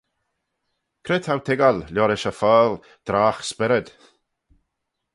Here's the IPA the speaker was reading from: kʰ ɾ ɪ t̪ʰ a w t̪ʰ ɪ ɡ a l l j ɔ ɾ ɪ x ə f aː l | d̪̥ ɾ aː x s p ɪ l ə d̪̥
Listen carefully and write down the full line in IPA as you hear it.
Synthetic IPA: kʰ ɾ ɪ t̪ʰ a w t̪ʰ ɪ ɡ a l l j ɔ ɾ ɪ ʃ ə f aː l | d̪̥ ɾ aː x s p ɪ ɾ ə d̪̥